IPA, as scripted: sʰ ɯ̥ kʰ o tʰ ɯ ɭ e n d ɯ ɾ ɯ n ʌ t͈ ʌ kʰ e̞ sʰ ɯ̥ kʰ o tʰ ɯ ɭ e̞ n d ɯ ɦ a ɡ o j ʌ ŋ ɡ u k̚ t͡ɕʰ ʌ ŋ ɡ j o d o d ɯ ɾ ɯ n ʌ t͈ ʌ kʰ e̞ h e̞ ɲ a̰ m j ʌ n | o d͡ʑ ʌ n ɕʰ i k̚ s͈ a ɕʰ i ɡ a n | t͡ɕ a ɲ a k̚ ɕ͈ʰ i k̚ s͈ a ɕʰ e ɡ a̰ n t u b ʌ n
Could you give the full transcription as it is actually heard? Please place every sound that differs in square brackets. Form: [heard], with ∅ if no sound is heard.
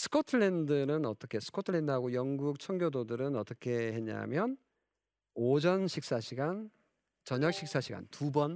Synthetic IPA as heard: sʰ ɯ̥ kʰ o tʰ ɯ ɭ e n d ɯ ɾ ɯ n ʌ t͈ ʌ kʰ e̞ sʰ ɯ̥ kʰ o tʰ ɯ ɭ e̞ n d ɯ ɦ a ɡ o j ʌ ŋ ɡ u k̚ t͡ɕʰ ʌ ŋ ɡ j o d o d ɯ ɾ ɯ n ʌ t͈ ʌ kʰ e̞ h e̞ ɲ a̰ m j ʌ n | o d͡ʑ ʌ n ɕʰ i k̚ s͈ a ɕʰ i ɡ a n | t͡ɕ [ʌ] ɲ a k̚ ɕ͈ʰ i k̚ s͈ a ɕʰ [i] ɡ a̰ n t u b ʌ n